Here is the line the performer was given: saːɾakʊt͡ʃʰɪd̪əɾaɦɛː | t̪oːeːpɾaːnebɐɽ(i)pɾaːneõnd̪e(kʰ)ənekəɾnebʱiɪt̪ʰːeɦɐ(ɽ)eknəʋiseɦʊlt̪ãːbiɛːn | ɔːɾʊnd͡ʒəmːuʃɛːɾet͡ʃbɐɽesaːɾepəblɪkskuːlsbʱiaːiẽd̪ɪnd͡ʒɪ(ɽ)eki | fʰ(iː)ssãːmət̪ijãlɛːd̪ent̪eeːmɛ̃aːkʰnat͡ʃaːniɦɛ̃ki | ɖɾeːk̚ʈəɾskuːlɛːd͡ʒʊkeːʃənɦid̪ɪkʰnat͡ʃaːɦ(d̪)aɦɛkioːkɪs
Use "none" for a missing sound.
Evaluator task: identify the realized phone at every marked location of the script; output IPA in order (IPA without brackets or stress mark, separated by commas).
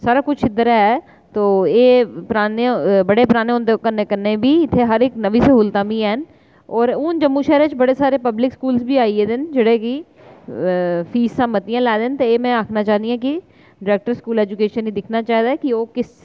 e, k, ɾ, ɽ, iː, d̪